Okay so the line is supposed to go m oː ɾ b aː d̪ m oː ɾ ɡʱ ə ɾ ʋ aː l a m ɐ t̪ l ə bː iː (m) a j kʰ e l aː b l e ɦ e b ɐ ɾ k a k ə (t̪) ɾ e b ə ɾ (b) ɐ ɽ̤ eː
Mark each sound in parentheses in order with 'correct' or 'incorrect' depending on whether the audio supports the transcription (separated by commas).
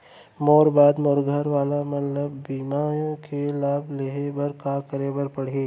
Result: correct, incorrect, incorrect